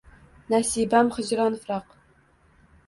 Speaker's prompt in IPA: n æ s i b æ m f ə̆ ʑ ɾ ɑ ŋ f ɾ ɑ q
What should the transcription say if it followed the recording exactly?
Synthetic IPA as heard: n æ s i b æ m χ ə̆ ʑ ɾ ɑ n f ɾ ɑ q